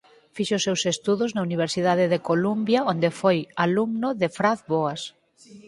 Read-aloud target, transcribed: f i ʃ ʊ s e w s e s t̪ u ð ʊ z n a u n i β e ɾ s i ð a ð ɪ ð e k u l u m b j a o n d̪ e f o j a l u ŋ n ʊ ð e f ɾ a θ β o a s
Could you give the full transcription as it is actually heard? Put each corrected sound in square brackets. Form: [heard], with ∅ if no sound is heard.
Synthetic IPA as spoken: f i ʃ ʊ s e w s e s t̪ u ð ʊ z n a u n i β e ɾ s i ð a ð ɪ ð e k [o] l u m b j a o n d̪ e f o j a l u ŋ n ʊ ð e f ɾ a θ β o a s